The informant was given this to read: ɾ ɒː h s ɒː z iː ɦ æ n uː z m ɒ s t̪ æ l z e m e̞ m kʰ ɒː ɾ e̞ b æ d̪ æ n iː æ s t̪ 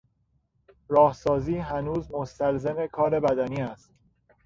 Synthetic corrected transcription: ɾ ɒː h s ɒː z iː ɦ æ n uː z m o s t̪ æ l z e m e̞ kʰ ɒː ɾ e̞ b æ d̪ æ n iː æ s t̪